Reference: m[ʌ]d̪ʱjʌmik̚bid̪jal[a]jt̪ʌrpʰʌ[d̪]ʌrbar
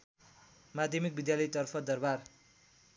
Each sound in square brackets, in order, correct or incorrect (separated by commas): incorrect, incorrect, correct